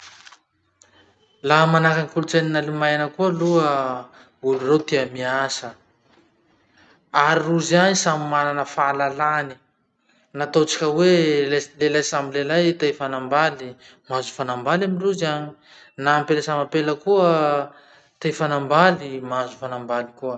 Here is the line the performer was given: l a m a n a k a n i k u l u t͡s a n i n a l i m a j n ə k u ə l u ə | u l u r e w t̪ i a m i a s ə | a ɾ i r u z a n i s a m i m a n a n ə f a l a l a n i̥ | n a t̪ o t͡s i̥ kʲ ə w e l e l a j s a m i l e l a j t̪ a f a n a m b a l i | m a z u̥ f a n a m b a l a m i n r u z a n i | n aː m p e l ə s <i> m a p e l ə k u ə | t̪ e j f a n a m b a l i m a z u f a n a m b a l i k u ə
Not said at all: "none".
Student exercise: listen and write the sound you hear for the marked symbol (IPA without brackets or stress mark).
a